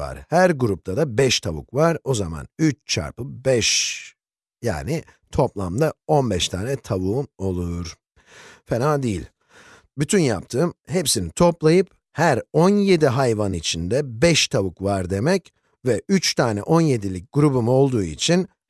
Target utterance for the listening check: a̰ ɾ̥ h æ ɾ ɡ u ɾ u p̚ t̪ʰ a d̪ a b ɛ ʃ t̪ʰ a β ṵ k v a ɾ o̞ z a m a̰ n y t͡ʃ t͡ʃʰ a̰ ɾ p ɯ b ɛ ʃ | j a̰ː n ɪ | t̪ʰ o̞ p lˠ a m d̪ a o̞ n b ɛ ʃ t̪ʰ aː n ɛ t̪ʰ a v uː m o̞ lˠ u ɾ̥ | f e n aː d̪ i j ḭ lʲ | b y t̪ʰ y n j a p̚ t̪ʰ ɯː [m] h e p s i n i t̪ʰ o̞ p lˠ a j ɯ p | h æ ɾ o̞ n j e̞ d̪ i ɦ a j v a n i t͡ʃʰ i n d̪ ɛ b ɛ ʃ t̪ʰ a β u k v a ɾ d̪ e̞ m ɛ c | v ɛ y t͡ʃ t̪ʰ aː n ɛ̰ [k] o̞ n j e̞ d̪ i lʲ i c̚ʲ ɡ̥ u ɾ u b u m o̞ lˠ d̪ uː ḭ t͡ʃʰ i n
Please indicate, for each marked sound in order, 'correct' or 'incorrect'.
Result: correct, incorrect

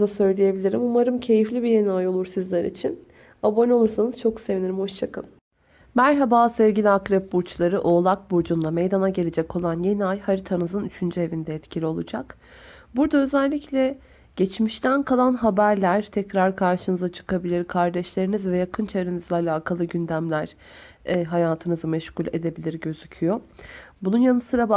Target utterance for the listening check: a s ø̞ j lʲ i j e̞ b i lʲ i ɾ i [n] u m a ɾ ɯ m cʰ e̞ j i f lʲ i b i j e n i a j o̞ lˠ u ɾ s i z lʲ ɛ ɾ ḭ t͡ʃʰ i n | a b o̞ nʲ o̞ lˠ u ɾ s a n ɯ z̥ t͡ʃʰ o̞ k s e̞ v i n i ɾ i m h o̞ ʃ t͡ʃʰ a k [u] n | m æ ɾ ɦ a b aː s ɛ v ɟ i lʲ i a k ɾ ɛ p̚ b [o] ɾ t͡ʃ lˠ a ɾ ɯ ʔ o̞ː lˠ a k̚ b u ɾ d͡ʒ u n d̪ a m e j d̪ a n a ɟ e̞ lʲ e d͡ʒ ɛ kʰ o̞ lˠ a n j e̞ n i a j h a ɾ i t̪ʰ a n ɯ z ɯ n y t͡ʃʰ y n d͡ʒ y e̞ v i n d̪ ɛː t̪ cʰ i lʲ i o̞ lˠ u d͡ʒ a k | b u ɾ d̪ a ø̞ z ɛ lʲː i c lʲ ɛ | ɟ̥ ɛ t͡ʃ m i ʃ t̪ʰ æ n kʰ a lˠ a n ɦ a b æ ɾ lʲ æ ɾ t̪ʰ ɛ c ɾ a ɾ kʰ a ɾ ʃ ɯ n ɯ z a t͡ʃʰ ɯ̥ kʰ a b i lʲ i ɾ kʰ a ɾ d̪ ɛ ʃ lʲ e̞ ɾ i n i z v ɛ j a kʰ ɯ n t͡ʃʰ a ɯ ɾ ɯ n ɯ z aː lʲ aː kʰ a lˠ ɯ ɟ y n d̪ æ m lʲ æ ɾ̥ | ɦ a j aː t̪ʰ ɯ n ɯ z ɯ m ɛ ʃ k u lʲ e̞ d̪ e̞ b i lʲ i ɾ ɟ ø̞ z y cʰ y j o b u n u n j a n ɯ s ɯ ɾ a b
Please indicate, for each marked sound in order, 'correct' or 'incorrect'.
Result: incorrect, incorrect, incorrect

